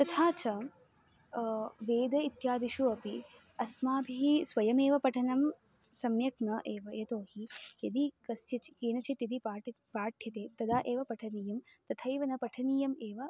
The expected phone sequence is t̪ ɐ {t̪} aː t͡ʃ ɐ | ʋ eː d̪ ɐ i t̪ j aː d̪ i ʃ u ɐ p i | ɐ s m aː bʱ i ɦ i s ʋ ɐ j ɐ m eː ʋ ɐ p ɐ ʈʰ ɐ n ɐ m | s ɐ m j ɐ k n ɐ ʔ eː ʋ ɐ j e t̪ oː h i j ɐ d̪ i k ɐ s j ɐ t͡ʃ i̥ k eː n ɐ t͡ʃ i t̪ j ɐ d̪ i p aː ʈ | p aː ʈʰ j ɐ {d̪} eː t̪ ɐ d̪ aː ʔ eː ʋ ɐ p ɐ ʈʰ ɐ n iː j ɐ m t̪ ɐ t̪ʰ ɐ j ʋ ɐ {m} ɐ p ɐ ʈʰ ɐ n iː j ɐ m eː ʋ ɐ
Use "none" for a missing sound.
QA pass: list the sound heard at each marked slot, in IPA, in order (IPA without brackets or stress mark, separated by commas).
t̪ʰ, t̪, n